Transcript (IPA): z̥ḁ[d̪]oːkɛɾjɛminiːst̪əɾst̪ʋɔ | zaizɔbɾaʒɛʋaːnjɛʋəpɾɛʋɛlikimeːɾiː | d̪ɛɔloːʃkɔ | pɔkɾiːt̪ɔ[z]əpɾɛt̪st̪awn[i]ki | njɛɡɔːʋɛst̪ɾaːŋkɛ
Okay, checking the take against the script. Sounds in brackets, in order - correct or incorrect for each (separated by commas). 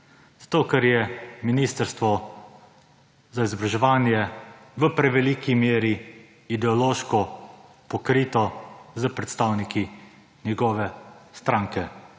incorrect, correct, correct